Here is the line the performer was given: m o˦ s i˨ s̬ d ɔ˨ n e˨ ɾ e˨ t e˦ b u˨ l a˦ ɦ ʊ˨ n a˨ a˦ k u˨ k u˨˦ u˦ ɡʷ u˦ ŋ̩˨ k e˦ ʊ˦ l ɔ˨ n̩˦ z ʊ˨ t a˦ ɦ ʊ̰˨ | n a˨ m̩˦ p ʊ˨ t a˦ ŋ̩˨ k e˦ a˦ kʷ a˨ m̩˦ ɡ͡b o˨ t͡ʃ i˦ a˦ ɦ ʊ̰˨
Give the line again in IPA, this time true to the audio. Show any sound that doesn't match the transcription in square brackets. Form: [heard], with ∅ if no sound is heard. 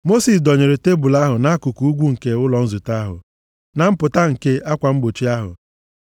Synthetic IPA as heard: m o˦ s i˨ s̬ d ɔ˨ [ɲ] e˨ ɾ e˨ t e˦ b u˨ l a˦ ɦ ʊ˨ n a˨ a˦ k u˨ k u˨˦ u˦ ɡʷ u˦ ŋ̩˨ k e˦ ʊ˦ l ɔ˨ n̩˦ z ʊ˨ t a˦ ɦ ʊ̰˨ | n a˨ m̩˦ p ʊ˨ t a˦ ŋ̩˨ k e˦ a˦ kʷ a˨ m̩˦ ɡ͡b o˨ t͡ʃ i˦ a˦ ɦ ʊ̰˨